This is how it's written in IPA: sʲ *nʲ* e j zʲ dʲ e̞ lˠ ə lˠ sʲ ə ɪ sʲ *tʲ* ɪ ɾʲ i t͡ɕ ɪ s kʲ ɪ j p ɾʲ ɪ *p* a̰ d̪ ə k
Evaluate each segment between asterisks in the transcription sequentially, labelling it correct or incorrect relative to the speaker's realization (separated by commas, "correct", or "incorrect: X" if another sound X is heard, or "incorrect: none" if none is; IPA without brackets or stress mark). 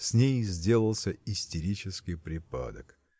correct, correct, correct